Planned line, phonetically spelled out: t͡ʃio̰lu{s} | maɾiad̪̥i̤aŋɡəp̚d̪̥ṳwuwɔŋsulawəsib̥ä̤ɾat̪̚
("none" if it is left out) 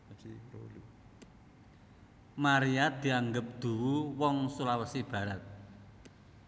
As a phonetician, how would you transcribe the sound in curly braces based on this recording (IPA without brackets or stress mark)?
none